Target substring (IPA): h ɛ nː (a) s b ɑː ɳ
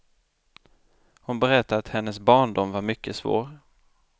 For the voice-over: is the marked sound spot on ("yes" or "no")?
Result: no